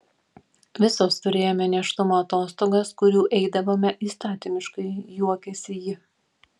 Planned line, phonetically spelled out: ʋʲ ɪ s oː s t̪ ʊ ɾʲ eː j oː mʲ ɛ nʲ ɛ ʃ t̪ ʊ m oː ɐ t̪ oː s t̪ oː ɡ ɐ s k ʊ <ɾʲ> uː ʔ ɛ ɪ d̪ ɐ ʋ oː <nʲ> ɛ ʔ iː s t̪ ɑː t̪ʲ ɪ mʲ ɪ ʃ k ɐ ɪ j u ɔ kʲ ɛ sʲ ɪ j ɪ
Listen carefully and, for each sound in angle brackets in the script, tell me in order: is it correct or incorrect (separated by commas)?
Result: correct, incorrect